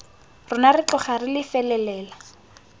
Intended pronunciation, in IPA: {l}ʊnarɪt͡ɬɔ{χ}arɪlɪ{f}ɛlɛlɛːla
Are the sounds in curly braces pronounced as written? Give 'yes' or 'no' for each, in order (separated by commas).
no, yes, yes